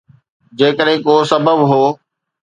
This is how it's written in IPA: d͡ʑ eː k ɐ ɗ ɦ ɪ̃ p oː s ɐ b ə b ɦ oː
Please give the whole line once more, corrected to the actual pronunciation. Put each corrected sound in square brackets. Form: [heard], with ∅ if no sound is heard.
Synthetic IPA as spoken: d͡ʑ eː k [ə] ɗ ɦ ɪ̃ [k] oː s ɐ b ə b ɦ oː